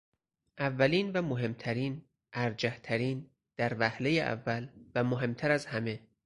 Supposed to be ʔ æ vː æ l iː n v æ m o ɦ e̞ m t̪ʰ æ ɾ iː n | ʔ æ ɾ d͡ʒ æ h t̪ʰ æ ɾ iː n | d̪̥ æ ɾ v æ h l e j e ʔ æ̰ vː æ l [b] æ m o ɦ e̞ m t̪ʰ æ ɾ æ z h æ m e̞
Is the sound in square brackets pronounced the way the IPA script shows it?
no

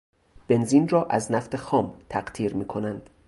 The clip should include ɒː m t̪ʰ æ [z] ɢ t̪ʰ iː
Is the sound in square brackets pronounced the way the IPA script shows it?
no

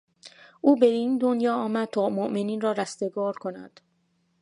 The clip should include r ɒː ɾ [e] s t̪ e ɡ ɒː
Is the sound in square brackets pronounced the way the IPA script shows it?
no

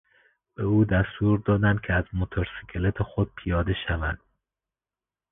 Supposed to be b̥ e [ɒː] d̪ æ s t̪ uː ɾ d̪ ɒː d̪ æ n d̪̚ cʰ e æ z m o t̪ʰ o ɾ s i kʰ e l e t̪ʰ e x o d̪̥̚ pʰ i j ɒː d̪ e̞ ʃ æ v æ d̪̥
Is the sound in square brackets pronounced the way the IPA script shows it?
no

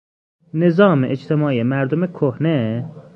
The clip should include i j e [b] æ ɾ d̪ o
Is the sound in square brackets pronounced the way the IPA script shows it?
no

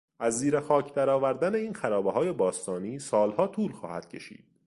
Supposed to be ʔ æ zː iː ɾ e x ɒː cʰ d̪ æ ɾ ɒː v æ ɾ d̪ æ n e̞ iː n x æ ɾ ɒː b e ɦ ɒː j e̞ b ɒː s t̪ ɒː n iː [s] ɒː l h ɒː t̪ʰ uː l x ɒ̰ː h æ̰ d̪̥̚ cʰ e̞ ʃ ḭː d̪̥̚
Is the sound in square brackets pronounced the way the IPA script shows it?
yes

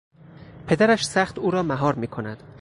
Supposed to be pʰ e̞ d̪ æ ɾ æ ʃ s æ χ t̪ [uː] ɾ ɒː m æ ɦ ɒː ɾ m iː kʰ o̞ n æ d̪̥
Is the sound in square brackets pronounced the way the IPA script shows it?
yes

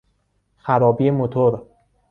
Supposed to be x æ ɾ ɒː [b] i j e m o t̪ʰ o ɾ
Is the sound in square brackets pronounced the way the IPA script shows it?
yes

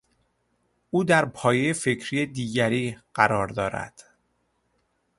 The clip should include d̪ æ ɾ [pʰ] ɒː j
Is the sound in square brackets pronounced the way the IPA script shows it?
yes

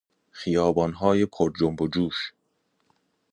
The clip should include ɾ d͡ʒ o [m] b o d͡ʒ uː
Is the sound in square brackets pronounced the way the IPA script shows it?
yes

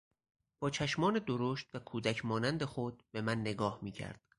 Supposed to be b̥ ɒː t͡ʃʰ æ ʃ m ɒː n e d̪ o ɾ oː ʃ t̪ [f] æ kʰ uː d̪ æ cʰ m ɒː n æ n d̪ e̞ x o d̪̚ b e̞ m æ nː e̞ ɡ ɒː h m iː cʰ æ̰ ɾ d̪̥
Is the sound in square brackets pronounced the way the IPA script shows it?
no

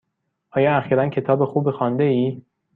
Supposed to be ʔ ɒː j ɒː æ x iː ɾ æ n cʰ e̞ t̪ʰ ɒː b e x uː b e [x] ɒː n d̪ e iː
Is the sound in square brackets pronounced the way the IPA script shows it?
yes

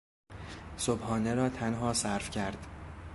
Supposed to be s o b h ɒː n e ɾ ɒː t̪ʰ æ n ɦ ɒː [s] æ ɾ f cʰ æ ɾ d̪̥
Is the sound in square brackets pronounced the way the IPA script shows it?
yes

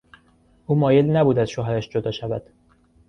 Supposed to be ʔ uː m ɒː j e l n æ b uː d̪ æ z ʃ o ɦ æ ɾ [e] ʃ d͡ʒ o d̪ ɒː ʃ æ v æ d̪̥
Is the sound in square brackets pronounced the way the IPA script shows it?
no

